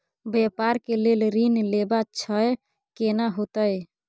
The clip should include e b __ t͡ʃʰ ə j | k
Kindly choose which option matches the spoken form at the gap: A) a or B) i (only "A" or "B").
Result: A